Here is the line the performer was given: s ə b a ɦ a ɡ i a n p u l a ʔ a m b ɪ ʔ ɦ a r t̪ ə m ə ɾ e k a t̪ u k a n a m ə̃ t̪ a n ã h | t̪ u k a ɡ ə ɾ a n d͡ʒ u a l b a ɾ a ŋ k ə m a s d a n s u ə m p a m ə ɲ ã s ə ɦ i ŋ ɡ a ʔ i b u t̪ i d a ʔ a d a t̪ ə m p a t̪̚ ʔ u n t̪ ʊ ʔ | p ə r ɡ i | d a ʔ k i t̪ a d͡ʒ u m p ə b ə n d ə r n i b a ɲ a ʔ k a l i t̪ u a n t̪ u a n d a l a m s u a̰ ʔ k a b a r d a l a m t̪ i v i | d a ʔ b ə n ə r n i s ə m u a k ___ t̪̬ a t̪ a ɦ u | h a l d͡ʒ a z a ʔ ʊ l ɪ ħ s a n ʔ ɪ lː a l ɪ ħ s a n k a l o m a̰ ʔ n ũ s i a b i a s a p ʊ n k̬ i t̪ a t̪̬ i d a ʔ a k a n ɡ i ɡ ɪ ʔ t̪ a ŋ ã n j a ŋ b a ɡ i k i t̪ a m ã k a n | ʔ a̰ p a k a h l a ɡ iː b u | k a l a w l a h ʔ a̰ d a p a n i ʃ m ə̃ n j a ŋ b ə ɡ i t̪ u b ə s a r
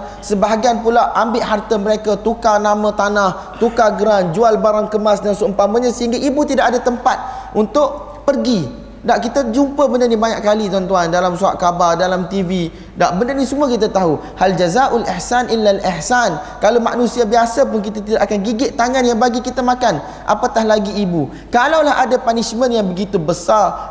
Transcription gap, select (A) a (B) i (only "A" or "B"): B